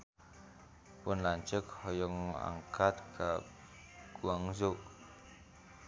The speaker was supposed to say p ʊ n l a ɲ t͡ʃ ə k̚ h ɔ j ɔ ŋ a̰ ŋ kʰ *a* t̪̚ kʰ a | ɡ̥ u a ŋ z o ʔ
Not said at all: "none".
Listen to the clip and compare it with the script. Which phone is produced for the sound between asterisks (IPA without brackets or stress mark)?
a